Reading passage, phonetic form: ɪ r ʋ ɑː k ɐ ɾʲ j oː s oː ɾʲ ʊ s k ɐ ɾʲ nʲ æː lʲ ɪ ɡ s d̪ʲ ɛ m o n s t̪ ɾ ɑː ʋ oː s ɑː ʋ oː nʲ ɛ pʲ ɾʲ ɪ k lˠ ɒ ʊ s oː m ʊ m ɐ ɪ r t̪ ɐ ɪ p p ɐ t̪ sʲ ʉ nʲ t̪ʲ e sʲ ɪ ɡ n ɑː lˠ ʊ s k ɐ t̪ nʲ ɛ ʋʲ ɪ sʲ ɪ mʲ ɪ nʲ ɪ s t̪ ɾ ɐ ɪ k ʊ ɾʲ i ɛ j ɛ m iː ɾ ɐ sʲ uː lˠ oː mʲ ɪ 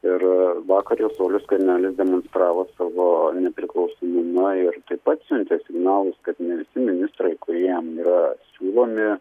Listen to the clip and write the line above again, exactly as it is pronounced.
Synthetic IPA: ɪ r ʋ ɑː k ɐ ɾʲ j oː s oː lʲ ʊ s k ɐ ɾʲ nʲ æː lʲ ɪ s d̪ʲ ɛ m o n s t̪ ɾ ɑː ʋ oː s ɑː ʋ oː nʲ ɛ pʲ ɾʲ ɪ k lˠ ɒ ʊ s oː m ʊ m ɐ ɪ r t̪ ɐ ɪ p p ɐ t̪ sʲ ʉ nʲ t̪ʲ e sʲ ɪ ɡ n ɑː lˠ ʊ s k ɐ t̪ nʲ ɛ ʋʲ ɪ sʲ ɪ mʲ ɪ nʲ ɪ s t̪ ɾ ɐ ɪ k ʊ ɾʲ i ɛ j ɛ m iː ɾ ɐ sʲ uː lˠ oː mʲ ɪ